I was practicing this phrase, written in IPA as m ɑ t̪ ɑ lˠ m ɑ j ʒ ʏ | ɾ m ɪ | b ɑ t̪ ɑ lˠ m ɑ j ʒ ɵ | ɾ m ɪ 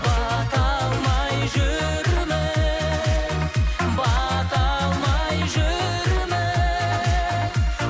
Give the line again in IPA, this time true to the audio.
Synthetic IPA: b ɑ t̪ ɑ lˠ m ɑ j ʒ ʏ | ɾ m ɪ | b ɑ t̪ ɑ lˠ m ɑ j ʒ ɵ | ɾ m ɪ